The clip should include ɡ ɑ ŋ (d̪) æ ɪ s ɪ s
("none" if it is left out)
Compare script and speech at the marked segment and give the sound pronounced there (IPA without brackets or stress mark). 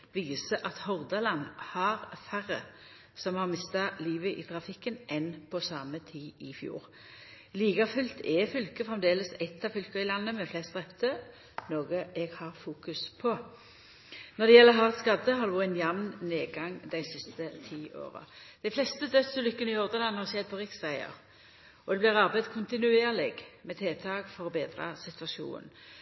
d̪